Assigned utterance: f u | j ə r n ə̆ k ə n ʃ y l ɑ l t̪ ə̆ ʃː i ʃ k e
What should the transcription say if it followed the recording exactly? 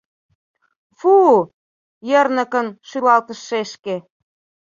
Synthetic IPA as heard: f u | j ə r n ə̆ k ə n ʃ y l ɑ l t̪ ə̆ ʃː e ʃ k e